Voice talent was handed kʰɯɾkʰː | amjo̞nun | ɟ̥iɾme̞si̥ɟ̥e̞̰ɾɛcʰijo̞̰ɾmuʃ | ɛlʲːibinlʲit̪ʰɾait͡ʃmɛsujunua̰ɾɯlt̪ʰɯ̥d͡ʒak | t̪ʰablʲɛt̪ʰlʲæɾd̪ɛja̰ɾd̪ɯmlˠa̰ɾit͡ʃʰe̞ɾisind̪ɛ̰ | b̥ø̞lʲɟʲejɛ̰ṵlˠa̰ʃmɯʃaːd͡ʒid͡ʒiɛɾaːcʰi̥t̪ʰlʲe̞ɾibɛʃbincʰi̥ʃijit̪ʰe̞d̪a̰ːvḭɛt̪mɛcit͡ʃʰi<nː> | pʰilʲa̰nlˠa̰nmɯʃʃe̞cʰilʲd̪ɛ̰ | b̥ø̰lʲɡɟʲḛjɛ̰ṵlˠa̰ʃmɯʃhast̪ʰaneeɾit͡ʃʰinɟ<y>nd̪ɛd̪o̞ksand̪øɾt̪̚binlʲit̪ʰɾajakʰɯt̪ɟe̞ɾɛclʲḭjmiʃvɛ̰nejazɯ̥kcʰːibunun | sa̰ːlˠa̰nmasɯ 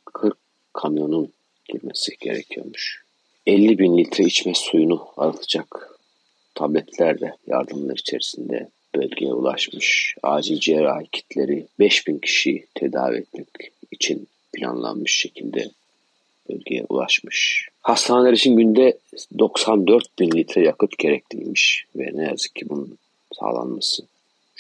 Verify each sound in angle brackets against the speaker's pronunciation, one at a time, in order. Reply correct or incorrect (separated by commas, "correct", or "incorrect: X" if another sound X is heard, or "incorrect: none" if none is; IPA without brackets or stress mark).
incorrect: n, correct